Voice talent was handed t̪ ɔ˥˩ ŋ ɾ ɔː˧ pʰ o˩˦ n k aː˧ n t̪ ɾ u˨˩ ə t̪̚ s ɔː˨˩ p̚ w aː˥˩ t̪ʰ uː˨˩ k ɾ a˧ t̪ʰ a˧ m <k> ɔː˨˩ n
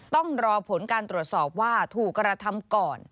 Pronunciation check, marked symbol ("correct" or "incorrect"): correct